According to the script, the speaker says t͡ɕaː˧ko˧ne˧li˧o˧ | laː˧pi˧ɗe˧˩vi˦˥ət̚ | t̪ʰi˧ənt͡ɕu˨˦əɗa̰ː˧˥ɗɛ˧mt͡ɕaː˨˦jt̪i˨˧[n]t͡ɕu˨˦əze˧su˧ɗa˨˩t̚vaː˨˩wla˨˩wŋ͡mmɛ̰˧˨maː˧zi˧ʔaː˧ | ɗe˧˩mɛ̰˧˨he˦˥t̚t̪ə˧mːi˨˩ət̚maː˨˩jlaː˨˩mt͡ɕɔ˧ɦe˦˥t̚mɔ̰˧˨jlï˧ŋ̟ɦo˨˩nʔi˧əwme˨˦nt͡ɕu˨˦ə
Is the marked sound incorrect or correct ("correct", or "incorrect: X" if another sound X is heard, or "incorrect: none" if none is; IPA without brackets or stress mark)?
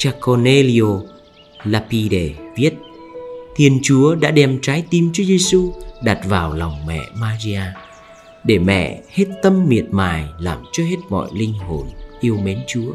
incorrect: m